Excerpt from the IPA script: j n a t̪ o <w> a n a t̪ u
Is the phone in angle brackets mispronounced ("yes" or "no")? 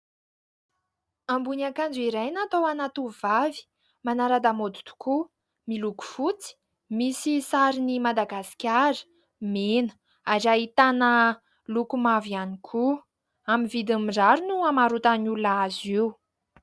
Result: no